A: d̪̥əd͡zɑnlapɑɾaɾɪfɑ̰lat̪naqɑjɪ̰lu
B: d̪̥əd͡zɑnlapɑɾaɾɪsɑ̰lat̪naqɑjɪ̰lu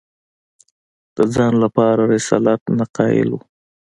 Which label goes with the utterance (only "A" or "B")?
B